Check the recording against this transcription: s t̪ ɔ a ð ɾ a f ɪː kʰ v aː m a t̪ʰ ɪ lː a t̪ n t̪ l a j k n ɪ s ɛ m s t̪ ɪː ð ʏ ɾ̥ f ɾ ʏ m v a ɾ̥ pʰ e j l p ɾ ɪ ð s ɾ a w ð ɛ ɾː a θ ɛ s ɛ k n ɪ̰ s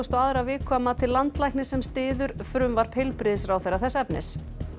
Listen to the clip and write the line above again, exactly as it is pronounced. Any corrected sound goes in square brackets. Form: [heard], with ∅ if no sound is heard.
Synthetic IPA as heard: s t̪ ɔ a ð ɾ a [v] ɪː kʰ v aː m a t̪ʰ ɪ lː a [∅] n t̪ l a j k n ɪ s ɛ m s t̪ ɪː ð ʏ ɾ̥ f ɾ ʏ m v a ɾ̥ pʰ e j l p ɾ ɪ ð s ɾ a w [θ] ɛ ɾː a θ ɛ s ɛ [p] n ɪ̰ s